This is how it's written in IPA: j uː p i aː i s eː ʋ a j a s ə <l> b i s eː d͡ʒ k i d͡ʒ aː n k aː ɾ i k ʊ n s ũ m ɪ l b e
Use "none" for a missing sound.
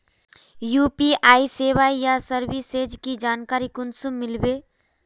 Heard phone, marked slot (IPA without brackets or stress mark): ɾ